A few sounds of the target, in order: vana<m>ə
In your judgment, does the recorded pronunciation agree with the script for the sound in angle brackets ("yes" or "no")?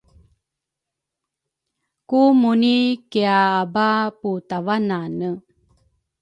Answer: no